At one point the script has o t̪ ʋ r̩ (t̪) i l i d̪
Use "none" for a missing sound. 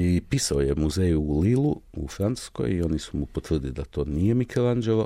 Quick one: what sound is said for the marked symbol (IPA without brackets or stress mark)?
d̪